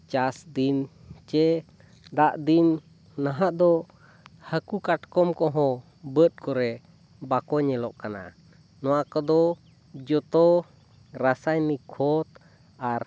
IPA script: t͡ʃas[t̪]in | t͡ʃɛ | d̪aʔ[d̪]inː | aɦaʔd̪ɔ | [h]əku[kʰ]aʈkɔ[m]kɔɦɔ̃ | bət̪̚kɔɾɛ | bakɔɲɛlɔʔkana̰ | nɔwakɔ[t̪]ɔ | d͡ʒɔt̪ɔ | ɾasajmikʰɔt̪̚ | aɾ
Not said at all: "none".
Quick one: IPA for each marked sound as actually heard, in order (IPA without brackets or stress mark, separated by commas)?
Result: d̪, d̪, h, k, m, d̪